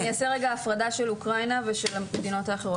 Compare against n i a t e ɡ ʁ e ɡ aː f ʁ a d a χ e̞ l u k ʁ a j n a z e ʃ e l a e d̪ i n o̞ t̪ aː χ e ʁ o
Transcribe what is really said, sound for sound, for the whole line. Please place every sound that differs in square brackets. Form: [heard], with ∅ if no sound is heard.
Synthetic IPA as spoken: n i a [s] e [∅] ʁ e ɡ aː f ʁ a d a [ʃ] e̞ l u k ʁ a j n a [v] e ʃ e l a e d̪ i n o̞ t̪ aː χ e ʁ o